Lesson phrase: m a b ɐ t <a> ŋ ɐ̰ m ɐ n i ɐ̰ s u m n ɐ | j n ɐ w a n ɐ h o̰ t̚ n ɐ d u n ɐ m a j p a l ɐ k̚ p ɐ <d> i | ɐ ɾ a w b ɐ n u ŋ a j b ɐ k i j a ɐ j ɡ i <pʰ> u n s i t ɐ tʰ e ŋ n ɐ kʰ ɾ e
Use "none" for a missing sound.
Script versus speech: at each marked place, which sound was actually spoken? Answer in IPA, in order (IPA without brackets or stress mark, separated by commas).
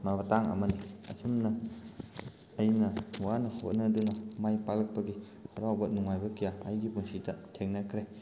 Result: a, ɡ, p